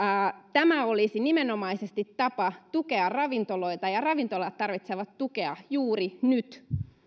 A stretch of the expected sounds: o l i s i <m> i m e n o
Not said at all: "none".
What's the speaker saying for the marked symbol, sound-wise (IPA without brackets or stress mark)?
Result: n